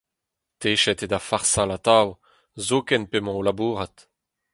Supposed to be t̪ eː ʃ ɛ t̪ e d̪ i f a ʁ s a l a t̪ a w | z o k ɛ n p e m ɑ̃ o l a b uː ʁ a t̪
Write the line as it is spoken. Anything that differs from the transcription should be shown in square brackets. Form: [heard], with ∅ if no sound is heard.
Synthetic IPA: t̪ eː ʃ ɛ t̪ e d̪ [a] f a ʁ s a l a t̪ a w | z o k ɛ n p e m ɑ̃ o l a b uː ʁ a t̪